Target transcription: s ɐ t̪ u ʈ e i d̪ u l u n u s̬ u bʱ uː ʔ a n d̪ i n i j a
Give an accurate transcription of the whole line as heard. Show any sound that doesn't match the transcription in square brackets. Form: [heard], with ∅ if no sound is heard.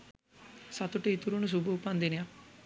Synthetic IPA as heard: s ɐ t̪ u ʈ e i [t̪] u [ɾ] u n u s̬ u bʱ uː [p] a n d̪ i n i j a